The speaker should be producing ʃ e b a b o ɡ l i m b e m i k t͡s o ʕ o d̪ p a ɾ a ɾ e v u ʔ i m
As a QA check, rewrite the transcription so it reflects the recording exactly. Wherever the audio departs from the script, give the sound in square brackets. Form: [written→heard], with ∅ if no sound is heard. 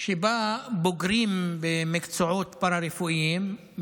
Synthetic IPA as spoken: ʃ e b a b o ɡ [l→ɾ] i m b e m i k t͡s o ʕ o [d̪→t̪] p a ɾ a ɾ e [v→f] u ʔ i m